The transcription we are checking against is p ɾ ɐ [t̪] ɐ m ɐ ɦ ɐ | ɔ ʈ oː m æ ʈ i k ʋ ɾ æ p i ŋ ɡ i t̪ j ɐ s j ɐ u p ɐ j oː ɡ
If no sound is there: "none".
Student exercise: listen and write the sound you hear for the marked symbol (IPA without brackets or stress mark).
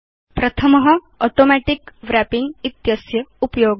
t̪ʰ